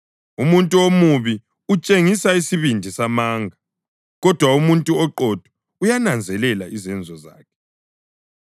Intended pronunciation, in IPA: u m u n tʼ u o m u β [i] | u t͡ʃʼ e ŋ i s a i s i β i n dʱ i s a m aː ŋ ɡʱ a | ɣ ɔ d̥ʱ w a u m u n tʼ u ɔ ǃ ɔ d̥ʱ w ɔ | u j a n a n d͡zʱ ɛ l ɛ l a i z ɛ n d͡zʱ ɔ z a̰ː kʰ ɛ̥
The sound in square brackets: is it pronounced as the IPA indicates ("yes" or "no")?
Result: yes